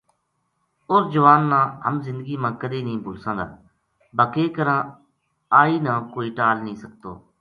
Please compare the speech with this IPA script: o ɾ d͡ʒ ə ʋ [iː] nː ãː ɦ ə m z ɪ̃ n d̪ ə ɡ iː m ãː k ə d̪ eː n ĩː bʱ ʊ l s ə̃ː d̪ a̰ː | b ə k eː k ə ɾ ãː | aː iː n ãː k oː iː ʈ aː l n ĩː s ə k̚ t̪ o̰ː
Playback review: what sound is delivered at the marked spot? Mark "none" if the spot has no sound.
aː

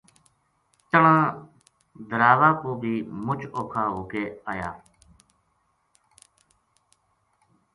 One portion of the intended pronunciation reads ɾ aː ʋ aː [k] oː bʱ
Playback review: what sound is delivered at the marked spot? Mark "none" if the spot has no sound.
k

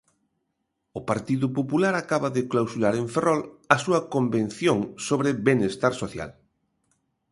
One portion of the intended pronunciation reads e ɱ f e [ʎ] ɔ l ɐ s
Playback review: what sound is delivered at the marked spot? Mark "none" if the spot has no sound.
r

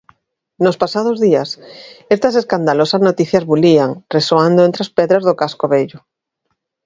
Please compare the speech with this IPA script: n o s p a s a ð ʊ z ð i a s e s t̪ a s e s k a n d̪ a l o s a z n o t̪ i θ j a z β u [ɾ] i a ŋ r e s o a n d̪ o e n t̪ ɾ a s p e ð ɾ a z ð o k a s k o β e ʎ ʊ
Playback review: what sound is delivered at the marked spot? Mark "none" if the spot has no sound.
l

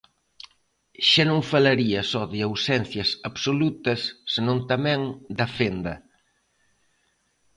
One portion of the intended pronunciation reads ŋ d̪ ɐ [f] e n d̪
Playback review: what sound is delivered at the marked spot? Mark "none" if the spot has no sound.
f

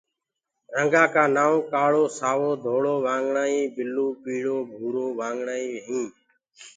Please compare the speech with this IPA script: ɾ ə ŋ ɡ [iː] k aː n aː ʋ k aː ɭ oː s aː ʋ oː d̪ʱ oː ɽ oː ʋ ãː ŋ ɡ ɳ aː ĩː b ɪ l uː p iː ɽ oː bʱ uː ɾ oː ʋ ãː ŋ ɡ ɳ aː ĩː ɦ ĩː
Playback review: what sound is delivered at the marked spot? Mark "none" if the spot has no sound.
aː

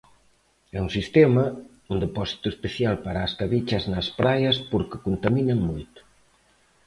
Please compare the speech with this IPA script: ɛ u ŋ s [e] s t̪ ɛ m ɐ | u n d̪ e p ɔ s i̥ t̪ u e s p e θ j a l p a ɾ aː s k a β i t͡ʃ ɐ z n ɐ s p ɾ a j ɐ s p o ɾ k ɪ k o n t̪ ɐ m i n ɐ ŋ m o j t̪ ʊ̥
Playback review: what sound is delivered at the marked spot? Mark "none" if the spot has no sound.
i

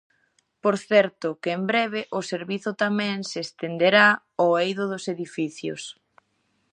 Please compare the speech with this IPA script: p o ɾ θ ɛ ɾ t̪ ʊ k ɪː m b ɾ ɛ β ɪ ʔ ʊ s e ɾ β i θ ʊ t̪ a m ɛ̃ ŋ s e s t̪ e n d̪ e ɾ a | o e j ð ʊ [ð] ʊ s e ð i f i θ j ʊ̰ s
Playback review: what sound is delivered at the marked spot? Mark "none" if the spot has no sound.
ð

